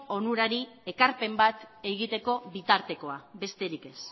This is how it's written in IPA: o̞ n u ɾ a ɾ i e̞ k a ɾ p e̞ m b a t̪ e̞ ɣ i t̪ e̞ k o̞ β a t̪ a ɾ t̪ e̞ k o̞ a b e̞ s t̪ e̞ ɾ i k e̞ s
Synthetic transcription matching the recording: o̞ n u ɾ a ɾ i e̞ k a ɾ p e̞ m b a t̪ e̞ ɣ i t̪ e̞ k o̞ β i t̪ a ɾ t̪ e̞ k o̞ a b e̞ s t̪ e̞ ɾ i k e̞ s